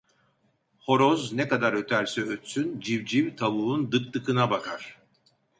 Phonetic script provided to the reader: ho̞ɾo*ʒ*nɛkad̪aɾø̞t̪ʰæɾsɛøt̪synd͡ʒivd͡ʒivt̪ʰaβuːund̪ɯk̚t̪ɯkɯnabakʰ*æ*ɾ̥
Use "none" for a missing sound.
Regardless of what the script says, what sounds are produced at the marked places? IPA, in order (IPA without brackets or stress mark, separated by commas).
z, a